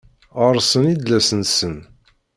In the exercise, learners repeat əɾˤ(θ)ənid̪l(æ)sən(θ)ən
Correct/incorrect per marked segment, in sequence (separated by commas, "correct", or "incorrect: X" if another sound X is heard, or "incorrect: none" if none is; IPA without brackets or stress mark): incorrect: s, correct, incorrect: s